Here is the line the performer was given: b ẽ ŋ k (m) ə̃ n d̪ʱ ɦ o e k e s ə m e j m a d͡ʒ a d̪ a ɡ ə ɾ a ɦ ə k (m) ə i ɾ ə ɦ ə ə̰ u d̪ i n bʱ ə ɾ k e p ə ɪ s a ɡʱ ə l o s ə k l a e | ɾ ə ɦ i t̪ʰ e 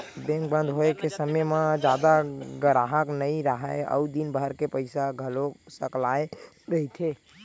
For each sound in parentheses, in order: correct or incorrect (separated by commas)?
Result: incorrect, incorrect